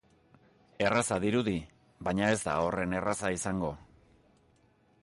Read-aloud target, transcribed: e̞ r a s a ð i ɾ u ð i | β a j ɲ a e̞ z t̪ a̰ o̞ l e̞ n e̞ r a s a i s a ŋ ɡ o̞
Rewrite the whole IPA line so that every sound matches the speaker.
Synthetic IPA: e̞ r a s a ð i ɾ u ð i | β a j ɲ a e̞ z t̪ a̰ o̞ r e̞ n e̞ r a s a i s a ŋ ɡ o̞